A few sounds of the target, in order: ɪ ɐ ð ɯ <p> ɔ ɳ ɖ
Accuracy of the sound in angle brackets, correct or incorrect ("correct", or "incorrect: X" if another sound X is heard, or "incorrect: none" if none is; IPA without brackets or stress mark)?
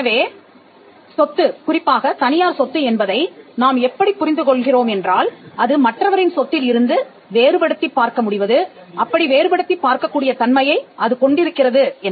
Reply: incorrect: k